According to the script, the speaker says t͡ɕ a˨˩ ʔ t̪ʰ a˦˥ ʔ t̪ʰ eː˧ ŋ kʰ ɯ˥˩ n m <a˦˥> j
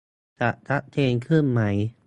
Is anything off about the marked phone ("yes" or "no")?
no